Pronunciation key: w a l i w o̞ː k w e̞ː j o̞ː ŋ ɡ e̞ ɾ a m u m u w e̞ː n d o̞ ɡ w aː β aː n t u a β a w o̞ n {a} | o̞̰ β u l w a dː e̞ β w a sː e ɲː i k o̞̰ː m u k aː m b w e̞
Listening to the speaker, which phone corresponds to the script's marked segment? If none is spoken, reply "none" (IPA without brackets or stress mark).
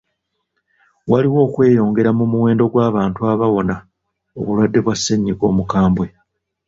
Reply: a